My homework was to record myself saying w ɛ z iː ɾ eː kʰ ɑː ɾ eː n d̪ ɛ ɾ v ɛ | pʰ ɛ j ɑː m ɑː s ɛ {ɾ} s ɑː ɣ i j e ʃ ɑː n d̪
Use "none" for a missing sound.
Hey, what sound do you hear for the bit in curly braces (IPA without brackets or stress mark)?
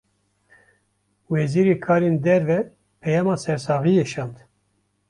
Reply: ɾ